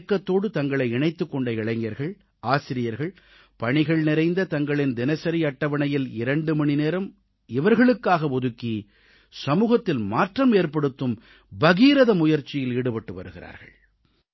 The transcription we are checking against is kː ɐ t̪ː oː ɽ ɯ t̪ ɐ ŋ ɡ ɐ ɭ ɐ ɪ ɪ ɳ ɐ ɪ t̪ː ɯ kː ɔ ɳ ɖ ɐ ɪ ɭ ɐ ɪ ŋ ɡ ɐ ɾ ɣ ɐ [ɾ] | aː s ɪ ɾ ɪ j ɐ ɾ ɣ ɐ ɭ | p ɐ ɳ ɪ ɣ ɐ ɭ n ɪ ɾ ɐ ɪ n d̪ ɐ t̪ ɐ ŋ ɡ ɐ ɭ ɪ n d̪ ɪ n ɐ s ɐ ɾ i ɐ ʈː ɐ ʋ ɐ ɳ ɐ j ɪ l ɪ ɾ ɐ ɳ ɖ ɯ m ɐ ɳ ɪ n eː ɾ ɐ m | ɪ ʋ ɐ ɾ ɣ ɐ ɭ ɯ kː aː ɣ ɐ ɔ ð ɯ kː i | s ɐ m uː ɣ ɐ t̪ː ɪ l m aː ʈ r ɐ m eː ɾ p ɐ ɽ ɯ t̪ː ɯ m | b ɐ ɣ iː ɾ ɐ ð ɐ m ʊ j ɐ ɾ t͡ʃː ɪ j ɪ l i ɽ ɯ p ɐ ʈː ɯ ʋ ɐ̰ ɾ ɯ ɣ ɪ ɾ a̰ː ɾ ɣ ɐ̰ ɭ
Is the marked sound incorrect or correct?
incorrect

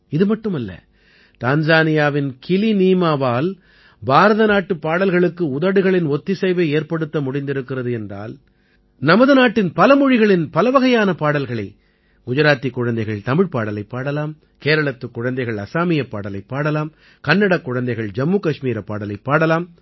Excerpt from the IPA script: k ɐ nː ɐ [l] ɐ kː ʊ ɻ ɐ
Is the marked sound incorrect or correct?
incorrect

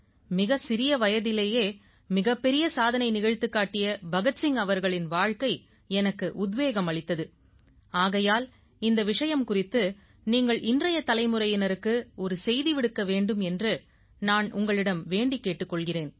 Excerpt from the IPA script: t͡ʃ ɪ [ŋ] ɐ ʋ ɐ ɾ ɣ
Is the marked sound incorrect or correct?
correct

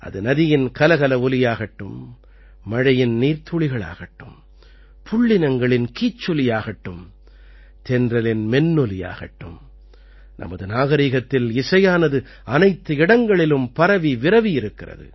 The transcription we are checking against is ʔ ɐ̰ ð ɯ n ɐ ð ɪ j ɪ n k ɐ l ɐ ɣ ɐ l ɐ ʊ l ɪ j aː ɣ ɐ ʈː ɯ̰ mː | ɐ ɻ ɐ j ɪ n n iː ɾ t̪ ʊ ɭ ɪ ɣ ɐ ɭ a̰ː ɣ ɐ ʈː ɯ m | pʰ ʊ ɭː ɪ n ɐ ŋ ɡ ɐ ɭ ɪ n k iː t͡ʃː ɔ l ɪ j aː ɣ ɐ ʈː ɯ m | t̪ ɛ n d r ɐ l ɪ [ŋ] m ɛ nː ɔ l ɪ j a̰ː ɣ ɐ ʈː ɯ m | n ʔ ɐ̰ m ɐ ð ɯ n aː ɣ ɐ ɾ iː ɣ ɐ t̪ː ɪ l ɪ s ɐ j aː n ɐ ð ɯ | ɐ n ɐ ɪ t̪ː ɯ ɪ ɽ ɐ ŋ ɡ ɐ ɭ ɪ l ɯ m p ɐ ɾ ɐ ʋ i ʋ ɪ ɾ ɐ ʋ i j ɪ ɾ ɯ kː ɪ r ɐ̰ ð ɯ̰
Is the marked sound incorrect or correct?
incorrect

